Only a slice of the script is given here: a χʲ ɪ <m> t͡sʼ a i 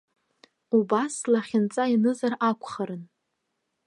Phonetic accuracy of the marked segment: incorrect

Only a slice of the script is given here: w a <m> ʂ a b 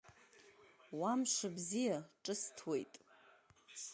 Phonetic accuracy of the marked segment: correct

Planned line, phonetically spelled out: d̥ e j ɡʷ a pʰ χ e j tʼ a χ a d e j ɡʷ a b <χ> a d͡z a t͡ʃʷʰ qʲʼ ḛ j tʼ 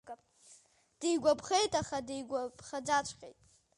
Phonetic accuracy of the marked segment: correct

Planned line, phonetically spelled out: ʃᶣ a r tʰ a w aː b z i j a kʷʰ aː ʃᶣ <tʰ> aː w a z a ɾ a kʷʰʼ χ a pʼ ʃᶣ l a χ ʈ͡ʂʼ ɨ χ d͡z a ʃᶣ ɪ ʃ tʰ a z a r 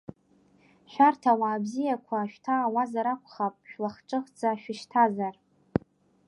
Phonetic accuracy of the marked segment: correct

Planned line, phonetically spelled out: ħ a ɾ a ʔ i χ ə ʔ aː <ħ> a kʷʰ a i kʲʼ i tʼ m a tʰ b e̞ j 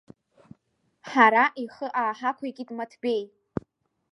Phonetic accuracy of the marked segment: correct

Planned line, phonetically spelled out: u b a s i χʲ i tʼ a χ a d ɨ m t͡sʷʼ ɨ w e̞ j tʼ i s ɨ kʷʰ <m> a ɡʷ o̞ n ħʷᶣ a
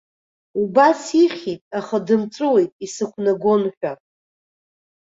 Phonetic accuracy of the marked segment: incorrect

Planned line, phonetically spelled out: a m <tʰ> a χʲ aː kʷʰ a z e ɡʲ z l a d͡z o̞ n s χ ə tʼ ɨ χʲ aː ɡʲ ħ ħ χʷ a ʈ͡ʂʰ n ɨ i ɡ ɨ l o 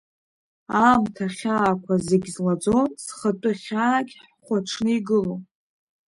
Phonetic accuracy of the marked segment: correct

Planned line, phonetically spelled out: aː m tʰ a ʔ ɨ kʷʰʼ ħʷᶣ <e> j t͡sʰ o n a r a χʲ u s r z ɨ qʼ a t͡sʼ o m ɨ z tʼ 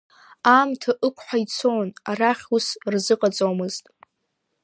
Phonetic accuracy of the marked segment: incorrect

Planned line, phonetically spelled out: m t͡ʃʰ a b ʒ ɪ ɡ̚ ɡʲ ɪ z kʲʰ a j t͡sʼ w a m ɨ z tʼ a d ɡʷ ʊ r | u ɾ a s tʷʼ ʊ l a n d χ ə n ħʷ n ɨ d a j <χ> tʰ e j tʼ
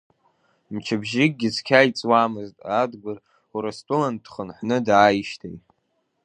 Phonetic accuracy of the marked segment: incorrect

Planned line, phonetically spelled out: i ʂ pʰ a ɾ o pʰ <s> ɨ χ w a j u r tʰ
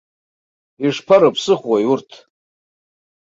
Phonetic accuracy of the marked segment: correct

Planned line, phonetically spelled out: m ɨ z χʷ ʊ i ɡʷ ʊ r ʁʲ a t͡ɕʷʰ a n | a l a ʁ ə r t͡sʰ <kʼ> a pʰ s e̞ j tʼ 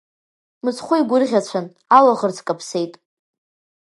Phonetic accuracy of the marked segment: correct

